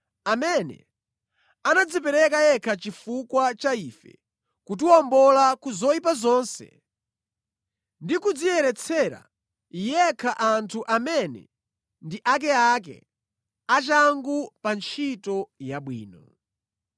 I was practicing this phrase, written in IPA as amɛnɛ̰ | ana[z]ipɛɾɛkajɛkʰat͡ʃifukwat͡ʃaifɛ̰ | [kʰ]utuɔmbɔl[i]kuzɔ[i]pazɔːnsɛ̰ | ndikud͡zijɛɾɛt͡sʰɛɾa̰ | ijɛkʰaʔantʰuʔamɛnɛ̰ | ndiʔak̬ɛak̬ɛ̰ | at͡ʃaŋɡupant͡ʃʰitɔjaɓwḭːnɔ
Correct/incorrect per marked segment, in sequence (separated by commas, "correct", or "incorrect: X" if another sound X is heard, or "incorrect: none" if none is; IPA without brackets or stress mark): incorrect: d͡z, incorrect: k, incorrect: a, correct